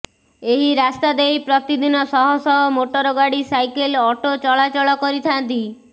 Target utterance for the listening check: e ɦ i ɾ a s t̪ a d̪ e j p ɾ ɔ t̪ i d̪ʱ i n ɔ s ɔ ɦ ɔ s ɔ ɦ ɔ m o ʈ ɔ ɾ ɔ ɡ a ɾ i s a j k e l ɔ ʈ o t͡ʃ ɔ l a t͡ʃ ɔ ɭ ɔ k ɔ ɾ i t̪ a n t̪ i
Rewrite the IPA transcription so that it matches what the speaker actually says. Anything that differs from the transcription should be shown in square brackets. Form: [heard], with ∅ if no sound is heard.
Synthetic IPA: e ɦ i ɾ a s t̪ a d̪ e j p ɾ ɔ t̪ i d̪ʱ i n ɔ s ɔ ɦ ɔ s ɔ ɦ ɔ m o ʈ ɔ ɾ ɔ ɡ a [ɽ] i s a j k e l ɔ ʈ o t͡ʃ ɔ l a t͡ʃ ɔ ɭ ɔ k ɔ ɾ i [t̪ʰ] a n t̪ i